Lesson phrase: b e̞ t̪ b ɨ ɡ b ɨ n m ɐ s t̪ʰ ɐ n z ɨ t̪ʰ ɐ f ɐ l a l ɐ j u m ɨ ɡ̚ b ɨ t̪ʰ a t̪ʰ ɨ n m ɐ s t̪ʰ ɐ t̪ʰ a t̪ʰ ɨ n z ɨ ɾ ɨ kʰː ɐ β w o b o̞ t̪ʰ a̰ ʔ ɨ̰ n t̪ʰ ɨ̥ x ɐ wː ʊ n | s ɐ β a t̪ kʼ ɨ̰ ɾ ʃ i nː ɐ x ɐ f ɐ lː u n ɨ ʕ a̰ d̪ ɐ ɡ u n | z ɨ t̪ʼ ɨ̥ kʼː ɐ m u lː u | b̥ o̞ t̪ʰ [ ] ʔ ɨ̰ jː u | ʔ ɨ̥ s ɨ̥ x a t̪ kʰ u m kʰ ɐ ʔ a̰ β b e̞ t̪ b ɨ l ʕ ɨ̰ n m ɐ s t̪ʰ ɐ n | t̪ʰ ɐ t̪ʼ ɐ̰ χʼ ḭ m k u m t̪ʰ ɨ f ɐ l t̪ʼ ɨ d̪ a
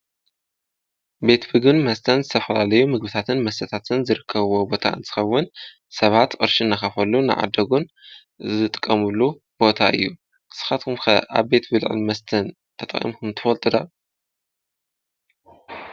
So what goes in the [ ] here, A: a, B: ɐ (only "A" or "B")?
A